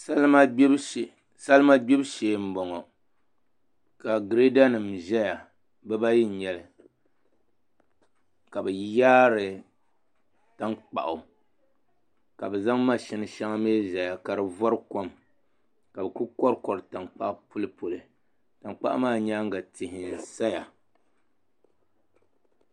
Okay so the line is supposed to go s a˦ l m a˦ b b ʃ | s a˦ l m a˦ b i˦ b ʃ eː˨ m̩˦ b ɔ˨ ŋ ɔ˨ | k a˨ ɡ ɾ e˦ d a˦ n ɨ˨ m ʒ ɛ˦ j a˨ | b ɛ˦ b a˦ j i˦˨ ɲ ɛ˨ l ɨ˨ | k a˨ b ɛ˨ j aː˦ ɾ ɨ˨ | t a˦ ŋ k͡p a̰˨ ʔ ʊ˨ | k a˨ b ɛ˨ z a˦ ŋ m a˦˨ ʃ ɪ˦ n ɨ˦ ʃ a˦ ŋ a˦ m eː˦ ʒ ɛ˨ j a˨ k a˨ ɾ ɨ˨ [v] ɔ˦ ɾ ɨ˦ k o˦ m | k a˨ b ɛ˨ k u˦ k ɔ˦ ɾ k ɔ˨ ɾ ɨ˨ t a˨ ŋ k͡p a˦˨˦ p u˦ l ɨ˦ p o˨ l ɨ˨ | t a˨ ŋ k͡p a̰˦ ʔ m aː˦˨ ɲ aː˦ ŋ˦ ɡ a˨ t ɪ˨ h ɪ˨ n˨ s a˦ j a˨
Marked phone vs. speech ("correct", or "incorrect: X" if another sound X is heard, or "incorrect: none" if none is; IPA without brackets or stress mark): correct